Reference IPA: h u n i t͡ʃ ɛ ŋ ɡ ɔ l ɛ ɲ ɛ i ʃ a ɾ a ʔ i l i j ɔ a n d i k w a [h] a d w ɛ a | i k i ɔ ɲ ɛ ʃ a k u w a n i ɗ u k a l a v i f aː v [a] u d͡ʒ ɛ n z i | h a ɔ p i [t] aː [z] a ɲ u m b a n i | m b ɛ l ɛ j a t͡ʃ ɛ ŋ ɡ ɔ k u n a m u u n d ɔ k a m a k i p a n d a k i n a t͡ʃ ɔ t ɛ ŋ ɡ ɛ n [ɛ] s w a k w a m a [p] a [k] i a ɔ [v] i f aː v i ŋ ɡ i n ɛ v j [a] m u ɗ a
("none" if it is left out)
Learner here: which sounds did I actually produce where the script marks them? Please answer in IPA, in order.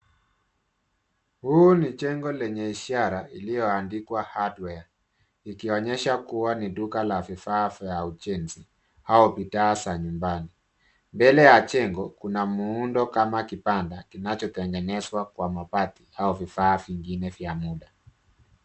h, a, t, s, ɛ, p, t, v, a

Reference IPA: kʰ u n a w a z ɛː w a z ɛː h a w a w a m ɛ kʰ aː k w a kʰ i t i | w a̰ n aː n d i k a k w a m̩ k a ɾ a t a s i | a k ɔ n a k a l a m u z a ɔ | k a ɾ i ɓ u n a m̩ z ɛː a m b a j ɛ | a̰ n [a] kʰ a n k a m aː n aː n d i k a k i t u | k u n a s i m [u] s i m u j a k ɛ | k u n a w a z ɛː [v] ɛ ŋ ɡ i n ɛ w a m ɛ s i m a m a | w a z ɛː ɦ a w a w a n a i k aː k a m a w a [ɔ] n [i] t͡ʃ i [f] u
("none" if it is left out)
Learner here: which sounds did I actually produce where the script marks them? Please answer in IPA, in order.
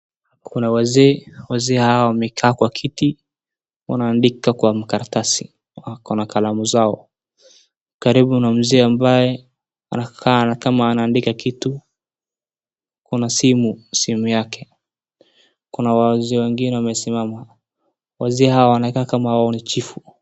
a, u, w, ɔ, i, f

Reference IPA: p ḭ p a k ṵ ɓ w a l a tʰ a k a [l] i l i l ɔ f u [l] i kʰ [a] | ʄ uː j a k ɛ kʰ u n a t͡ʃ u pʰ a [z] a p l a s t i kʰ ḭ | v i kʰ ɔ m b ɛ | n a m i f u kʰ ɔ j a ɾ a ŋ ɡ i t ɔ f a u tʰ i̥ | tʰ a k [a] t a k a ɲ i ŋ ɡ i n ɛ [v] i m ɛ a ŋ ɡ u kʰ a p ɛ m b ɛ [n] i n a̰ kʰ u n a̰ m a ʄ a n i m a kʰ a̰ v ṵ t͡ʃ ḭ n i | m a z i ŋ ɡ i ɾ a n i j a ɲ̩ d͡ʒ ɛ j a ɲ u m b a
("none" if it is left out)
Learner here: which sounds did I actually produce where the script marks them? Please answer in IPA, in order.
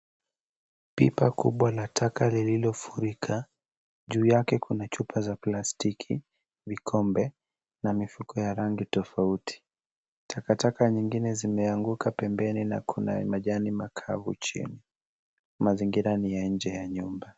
l, ɾ, a, z, a, z, n

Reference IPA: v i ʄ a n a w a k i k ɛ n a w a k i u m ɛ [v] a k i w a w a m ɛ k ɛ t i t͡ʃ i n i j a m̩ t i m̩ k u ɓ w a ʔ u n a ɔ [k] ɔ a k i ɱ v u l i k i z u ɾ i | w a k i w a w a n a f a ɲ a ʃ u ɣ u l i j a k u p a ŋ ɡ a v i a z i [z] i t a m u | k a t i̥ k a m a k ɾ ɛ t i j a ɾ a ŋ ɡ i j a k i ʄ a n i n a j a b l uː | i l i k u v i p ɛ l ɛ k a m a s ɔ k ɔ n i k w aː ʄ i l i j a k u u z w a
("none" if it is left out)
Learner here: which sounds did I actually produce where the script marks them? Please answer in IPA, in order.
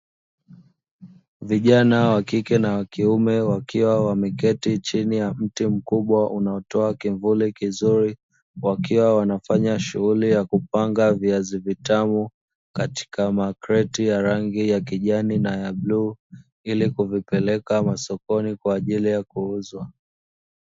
w, t, v

